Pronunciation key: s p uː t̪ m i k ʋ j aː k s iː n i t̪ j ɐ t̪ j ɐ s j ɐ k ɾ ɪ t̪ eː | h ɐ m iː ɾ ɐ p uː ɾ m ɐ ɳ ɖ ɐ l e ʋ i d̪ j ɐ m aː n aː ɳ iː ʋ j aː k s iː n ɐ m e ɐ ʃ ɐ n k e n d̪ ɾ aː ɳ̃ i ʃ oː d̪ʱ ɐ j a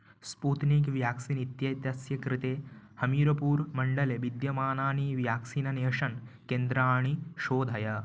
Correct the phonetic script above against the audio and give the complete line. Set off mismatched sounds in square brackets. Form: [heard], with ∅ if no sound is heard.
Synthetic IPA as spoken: s p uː t̪ [n] i k ʋ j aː k s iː n i t̪ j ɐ t̪ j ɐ s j ɐ k ɾ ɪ t̪ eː | h ɐ m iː ɾ ɐ p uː ɾ m ɐ ɳ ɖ ɐ l e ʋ i d̪ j ɐ m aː n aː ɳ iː ʋ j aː k s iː n ɐ [n] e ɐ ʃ ɐ n k e n d̪ ɾ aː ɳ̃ i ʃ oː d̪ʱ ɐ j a